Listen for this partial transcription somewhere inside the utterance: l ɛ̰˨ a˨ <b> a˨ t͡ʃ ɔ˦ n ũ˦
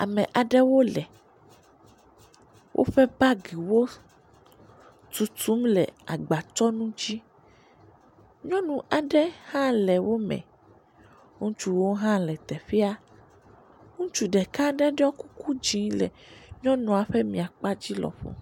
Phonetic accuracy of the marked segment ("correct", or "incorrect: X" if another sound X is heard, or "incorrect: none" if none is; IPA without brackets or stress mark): incorrect: ɡ͡b